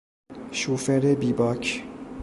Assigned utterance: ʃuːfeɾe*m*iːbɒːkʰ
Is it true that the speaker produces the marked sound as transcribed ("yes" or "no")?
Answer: no